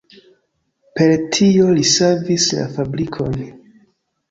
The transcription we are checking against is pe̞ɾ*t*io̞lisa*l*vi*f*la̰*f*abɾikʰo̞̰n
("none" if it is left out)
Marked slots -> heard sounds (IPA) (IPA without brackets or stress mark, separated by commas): tʰ, none, s, f